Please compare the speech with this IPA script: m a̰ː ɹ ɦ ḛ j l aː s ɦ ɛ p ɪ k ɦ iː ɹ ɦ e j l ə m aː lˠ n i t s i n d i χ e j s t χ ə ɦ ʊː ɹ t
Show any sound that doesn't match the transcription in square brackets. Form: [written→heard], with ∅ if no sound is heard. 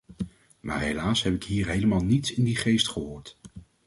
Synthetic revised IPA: m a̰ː ɹ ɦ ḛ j l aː s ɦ ɛ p ɪ k ɦ iː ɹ ɦ e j l ə m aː lˠ n i t s [i→ɪ] n d i χ e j s t χ ə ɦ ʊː ɹ t